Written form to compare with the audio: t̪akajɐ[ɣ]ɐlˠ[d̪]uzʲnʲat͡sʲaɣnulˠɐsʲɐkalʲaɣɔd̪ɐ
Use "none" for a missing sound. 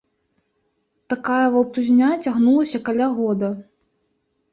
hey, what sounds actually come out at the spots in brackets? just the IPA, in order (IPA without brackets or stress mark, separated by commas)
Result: v, t̪